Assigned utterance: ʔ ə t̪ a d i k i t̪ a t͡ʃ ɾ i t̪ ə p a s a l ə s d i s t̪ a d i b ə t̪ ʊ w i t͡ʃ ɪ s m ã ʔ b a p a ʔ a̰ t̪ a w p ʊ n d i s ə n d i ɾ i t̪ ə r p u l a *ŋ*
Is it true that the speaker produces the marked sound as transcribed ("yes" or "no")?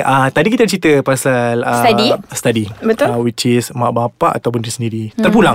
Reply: yes